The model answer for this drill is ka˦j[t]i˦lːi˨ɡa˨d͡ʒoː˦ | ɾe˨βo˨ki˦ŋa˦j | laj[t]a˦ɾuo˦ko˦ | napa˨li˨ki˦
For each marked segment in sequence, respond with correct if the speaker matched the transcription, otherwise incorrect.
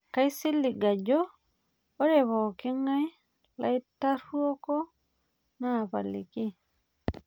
incorrect, correct

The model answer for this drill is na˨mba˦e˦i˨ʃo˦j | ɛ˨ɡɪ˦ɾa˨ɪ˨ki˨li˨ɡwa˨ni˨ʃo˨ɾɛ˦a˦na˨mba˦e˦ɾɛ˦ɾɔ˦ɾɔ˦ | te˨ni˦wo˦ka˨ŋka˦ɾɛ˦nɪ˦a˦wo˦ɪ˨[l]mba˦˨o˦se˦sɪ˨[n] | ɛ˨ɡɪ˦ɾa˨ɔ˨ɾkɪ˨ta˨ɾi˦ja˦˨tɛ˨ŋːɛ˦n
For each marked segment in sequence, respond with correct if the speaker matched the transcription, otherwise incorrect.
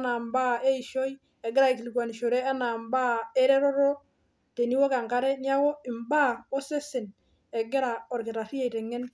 incorrect, correct

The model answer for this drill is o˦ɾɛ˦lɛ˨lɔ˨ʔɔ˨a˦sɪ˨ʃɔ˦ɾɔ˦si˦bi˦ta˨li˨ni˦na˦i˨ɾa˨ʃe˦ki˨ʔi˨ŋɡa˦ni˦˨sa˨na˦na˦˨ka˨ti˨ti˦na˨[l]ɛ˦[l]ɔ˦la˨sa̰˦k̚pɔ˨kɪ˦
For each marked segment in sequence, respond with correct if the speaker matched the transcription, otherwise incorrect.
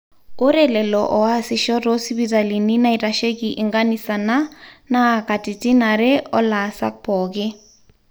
incorrect, incorrect

